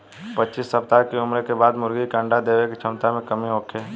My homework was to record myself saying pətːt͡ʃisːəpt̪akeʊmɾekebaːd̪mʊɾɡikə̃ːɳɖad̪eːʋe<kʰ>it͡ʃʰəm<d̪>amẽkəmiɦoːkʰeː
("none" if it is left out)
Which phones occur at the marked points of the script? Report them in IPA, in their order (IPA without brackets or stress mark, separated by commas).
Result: k, t̪